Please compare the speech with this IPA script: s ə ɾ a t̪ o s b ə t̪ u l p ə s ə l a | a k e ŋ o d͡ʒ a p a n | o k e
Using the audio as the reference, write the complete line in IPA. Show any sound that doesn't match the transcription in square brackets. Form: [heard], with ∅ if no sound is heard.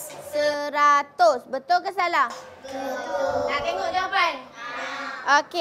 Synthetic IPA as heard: s ə ɾ a t̪ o s b ə t̪ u l [k] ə s [a] l a | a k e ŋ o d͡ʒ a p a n | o k e

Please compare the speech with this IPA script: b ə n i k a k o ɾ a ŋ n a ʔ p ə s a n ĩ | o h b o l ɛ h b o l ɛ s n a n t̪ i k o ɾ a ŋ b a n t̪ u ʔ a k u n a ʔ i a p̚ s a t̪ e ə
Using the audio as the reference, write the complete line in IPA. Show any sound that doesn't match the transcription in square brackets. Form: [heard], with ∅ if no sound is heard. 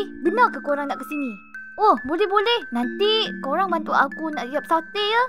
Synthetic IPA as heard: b ə n [a] k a k o ɾ a ŋ n a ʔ [k] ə s [i] n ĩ | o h b o l ɛ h b o l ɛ [h] n a n t̪ i k o ɾ a ŋ b a n t̪ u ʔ a k u n a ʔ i a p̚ s a t̪ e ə

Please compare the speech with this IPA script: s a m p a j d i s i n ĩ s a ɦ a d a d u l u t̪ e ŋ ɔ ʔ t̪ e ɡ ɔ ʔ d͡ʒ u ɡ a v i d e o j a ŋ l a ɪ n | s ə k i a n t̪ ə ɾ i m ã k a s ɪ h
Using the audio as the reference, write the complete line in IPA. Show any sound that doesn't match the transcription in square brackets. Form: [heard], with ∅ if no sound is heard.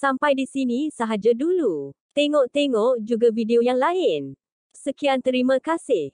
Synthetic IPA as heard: s a m p a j d i s i n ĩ s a ɦ a [d͡ʒ] a d u l u t̪ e ŋ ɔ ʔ t̪ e [ŋ] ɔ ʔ d͡ʒ u ɡ a v i d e o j a ŋ l a ɪ n | s ə k i a n t̪ ə ɾ i m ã k a s ɪ h

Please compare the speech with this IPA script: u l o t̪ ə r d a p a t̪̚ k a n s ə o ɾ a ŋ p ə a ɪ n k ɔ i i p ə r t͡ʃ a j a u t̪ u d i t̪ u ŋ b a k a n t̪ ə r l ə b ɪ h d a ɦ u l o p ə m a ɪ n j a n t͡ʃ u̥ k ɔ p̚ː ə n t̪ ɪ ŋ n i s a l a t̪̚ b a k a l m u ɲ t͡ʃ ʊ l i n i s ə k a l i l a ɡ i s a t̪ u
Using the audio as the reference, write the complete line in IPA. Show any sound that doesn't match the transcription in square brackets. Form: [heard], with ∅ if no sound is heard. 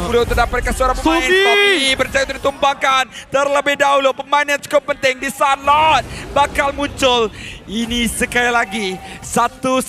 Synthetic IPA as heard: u l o t̪ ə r d a p a t̪̚ k a n s ə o ɾ a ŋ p ə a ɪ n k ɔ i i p ə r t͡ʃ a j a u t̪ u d i t̪ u [m] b a k a n t̪ ə r l ə b ɪ h d a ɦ u l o p ə m a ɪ n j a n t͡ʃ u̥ k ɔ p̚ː ə n t̪ ɪ ŋ [d] i s a l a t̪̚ b a k a l m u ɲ t͡ʃ ʊ l i n i s ə k a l i l a ɡ i s a t̪ u

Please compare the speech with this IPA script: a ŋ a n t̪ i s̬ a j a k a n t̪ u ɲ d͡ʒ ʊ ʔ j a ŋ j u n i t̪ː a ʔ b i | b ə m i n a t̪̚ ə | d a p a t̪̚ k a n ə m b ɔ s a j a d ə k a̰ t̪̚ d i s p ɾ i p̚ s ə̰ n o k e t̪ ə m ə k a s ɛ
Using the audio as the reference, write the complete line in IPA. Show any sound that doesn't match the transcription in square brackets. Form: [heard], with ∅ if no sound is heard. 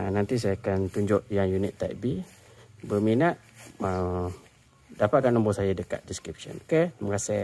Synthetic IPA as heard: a [n] a n t̪ i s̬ a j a k a n t̪ u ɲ d͡ʒ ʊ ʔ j a ŋ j u n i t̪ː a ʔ b i | b ə m i n a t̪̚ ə | d a p a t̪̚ k a n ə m b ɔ s a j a d ə k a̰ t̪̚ d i s [k] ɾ i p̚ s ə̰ n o k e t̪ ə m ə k a s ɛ

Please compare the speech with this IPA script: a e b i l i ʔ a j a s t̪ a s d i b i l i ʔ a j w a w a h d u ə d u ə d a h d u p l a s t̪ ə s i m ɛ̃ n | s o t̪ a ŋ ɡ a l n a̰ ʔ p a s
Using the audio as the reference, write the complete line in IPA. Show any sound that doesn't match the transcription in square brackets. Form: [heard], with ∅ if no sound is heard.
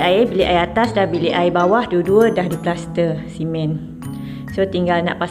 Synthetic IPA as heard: a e b i l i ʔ a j a [∅] t̪ a s d [a] b i l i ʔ a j [b] a w a h d u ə d u ə d a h d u p l a s t̪ ə s i m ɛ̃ n | s o t̪ [i] ŋ ɡ a l n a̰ ʔ p a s

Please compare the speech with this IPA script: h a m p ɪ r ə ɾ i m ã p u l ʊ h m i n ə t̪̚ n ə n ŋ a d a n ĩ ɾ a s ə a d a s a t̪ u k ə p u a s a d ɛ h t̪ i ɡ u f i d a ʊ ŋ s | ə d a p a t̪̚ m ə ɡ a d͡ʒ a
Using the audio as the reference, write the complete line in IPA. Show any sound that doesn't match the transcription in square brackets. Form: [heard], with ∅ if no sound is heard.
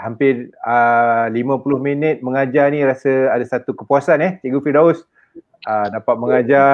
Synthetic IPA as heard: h a m p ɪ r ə [l] i m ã p u l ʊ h m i n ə t̪̚ [m] ə [∅] ŋ a [d͡ʒ] a n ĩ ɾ a s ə a d a s a t̪ u k ə p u a s a [n] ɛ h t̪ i ɡ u f i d a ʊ [∅] s | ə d a p a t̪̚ m ə [ŋ] a d͡ʒ a

